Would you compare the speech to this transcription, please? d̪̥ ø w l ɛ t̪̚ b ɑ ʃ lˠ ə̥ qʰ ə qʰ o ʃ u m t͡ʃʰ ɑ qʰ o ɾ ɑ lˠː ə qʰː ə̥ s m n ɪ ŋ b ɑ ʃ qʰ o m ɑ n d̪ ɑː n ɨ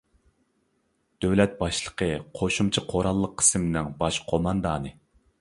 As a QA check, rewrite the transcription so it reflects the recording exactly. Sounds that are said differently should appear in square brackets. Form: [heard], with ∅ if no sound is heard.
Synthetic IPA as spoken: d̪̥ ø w l ɛ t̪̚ b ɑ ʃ lˠ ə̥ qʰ ə qʰ o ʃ u m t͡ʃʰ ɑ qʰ o ɾ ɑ lˠː ə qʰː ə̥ s m n ɪ ŋ b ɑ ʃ qʰ o m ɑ n d̪ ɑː n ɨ